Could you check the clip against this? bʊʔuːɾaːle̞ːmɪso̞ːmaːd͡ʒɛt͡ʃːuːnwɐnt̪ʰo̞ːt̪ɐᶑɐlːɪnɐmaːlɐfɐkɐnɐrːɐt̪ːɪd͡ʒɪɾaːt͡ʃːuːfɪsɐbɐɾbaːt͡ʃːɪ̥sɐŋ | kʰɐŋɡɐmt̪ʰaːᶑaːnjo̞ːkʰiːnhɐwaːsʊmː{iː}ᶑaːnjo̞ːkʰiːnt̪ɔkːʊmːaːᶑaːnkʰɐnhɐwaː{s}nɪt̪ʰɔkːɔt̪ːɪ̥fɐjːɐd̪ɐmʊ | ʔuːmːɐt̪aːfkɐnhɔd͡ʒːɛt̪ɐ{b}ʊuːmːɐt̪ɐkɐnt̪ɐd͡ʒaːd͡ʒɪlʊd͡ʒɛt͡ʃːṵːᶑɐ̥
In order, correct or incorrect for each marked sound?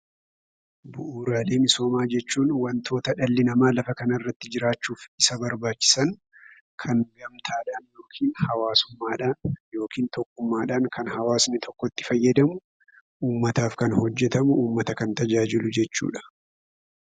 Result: incorrect, correct, incorrect

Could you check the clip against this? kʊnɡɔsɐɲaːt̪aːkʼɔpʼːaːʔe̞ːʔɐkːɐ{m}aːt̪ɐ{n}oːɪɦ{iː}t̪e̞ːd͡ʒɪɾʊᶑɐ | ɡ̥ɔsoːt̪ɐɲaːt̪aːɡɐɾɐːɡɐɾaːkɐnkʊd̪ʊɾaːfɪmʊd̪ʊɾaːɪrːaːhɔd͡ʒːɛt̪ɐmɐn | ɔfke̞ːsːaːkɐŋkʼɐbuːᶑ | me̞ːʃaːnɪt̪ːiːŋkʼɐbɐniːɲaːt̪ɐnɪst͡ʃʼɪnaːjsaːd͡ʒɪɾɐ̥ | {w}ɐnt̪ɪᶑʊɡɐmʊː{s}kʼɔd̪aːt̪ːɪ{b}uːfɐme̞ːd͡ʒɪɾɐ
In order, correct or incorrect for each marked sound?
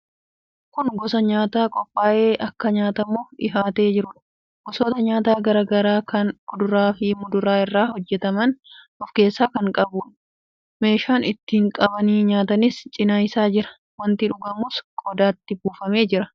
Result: incorrect, incorrect, incorrect, correct, correct, correct

